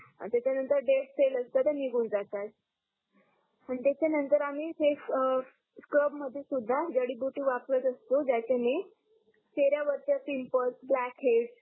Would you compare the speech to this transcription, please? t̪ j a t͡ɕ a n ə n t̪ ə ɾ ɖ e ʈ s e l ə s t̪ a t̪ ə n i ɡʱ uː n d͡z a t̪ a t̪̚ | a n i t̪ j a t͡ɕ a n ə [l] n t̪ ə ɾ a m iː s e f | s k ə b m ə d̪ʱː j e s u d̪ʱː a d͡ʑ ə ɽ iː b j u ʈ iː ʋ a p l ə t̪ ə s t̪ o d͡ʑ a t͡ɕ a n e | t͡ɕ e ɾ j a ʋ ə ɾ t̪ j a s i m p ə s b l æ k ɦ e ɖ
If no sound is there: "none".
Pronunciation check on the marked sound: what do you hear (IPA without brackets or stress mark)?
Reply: none